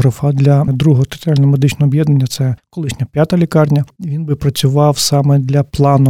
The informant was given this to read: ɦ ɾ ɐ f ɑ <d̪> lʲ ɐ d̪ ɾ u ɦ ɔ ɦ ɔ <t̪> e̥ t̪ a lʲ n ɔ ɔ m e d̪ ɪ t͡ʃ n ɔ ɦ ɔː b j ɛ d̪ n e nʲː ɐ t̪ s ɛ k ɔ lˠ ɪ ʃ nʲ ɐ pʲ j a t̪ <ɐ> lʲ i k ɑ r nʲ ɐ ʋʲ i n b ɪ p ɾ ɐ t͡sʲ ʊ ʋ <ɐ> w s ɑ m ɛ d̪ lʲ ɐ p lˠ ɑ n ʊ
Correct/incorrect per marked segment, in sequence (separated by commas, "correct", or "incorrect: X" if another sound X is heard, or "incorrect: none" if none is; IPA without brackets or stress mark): correct, correct, correct, incorrect: ɑ